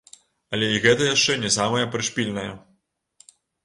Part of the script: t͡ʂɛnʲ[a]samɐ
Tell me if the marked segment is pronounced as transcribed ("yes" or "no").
no